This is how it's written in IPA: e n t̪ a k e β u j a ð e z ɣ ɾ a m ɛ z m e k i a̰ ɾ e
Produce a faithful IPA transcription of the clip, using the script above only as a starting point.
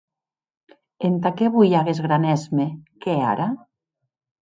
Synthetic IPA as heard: e n t̪ a k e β u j a ɣ e z ɣ ɾ a n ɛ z m e k e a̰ ɾ a